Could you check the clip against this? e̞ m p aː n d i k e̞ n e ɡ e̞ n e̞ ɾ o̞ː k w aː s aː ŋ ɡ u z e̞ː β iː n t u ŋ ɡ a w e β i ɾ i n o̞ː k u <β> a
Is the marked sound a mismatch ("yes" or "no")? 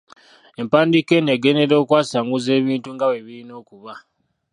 no